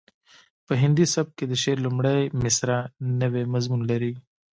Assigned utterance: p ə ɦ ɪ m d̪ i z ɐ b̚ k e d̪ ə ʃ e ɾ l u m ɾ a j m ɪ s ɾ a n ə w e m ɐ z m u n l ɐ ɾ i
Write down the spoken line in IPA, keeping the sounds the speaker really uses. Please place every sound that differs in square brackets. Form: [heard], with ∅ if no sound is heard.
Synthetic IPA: p ə ɦ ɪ [n] d̪ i [s] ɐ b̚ k e d̪ ə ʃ e ɾ l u m [ɽ] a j m ɪ s ɾ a n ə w e m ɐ z m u n l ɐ ɾ i